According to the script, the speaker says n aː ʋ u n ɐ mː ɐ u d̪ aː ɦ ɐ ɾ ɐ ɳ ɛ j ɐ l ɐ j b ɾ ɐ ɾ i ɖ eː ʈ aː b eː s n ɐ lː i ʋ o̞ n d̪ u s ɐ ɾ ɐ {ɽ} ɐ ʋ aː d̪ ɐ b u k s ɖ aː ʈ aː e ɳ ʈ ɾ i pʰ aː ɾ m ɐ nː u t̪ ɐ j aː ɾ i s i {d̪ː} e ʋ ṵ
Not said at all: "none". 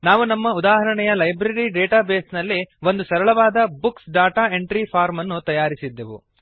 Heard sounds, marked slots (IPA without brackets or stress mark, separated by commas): ɭ, d̪ː